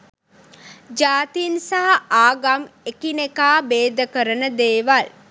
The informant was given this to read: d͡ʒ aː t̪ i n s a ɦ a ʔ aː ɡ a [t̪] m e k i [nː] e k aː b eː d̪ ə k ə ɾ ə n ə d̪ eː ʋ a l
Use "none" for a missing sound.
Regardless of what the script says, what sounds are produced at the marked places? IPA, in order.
none, n

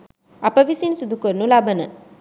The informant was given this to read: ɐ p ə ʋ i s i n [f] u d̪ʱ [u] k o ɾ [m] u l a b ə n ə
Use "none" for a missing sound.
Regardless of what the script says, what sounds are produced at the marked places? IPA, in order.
s, u, n

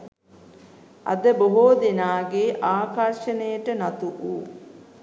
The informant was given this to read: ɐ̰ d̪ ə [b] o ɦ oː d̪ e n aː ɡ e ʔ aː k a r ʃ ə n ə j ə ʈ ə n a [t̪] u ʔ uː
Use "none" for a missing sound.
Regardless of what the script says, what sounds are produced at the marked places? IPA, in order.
b, t̪

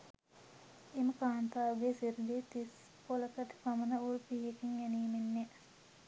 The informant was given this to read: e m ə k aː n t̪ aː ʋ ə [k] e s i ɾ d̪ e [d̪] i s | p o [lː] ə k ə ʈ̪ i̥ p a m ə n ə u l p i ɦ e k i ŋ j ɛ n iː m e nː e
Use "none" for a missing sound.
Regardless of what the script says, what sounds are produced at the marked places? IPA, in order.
ɡ, t̪, l

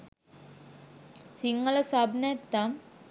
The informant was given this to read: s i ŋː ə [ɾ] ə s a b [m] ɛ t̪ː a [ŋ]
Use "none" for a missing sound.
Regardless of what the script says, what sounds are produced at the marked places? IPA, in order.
l, n, m

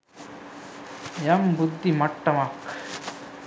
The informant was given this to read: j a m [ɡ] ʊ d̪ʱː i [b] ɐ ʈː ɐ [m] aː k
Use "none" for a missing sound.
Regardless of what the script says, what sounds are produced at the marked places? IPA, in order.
b, m, m

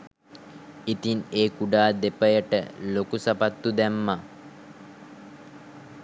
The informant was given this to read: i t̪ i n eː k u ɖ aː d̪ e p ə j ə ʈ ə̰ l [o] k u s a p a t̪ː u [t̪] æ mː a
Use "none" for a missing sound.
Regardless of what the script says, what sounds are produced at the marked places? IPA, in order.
o, d̪

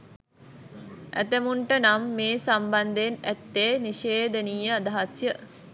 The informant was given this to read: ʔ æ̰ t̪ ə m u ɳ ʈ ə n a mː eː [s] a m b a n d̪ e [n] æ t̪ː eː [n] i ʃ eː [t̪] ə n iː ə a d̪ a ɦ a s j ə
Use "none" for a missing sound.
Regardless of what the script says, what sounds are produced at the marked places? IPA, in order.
s, n, n, d̪

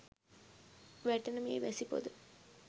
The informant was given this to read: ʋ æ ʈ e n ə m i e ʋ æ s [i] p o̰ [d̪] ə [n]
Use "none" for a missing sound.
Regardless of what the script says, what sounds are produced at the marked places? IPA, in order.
i, d̪, none

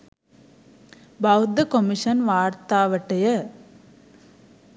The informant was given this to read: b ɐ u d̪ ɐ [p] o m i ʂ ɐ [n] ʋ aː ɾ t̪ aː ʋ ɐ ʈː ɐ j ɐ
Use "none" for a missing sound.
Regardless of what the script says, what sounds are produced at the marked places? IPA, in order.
k, n

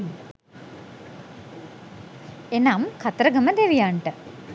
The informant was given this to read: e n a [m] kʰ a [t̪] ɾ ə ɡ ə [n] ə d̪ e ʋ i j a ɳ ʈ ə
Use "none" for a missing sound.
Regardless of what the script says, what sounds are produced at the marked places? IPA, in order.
m, t̪, m

